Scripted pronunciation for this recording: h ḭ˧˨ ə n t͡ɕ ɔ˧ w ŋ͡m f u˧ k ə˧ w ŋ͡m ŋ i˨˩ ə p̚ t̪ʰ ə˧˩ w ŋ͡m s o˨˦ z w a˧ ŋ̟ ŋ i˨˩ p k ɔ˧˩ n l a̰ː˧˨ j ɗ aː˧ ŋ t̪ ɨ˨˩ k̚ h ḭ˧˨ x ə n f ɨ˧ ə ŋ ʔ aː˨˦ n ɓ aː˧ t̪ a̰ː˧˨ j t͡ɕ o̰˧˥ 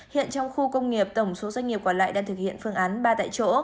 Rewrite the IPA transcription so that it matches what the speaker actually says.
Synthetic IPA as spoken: h ḭ˧˨ ə n t͡ɕ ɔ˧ w ŋ͡m x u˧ k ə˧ w ŋ͡m ŋ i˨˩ ə p̚ t̪ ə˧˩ w ŋ͡m s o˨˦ z w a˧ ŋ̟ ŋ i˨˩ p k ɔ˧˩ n l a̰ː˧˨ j ɗ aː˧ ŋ t̪ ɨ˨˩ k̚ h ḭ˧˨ ə n f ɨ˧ ə ŋ ʔ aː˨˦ n ɓ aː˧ t̪ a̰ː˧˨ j t͡ɕ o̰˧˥